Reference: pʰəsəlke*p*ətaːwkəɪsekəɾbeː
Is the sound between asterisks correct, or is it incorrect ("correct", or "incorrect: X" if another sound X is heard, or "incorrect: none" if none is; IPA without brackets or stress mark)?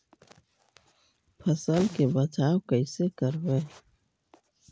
incorrect: b